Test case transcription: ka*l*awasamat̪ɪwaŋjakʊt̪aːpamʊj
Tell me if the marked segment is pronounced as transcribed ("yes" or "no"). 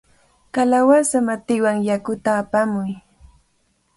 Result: yes